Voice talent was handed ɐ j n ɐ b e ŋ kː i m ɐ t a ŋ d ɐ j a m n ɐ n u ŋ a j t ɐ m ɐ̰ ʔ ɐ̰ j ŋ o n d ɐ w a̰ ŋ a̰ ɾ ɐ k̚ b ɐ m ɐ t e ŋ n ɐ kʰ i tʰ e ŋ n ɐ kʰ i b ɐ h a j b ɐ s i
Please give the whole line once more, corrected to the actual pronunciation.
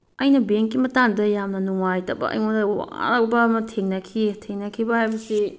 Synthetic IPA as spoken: ɐ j n ɐ b e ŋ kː i m ɐ t a ŋ d ɐ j a m n ɐ n u ŋ a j t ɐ b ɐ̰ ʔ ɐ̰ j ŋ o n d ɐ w a̰ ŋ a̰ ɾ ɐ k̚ b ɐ m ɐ tʰ e ŋ n ɐ kʰ i tʰ e ŋ n ɐ kʰ i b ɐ h a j b ɐ s i